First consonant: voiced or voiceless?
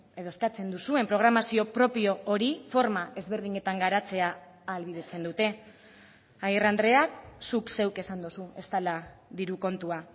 voiced